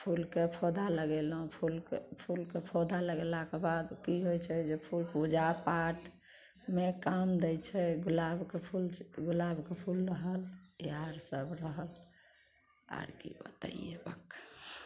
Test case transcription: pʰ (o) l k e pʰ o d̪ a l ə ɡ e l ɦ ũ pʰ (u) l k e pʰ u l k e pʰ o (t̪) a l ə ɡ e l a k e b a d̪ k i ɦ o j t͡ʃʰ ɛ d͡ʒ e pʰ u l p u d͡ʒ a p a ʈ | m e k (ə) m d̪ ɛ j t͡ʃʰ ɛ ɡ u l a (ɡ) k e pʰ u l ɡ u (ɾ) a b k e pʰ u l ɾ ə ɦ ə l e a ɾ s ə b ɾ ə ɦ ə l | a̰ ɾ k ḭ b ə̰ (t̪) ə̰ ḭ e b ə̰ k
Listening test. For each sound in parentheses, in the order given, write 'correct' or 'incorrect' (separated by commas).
incorrect, correct, incorrect, incorrect, incorrect, incorrect, correct